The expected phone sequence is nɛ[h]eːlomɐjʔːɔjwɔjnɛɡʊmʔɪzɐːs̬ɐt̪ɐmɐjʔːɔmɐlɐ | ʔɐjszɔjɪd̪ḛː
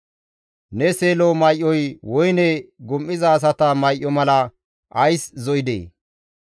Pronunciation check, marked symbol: incorrect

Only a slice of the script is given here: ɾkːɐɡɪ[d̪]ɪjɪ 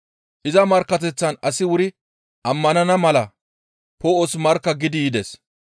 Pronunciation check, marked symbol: correct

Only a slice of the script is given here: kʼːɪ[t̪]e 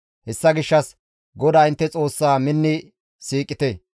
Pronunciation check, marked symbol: correct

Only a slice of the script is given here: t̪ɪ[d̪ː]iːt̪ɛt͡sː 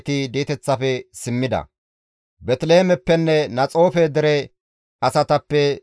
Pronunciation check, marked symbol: incorrect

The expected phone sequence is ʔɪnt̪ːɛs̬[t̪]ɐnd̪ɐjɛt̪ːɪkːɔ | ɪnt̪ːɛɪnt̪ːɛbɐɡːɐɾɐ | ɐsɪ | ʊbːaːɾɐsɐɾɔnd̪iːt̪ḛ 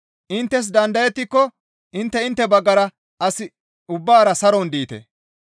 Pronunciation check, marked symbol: incorrect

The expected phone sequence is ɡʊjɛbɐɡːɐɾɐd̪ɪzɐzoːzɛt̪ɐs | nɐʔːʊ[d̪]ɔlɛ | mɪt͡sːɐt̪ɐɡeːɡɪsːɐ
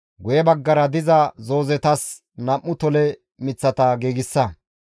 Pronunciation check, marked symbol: incorrect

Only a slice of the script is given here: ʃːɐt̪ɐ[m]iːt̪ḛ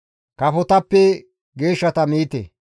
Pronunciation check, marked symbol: correct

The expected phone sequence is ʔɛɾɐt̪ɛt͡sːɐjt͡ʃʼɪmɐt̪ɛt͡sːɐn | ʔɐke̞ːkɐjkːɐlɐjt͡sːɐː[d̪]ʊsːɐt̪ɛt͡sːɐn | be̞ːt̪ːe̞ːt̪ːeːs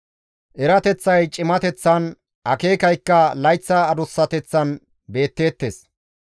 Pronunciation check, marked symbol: correct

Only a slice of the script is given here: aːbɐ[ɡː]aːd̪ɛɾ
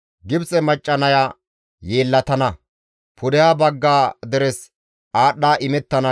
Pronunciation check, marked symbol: correct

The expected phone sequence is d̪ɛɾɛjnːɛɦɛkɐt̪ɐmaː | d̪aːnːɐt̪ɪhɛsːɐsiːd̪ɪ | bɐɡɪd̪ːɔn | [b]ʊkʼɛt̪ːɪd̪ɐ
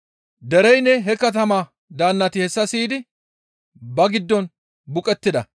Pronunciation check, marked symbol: correct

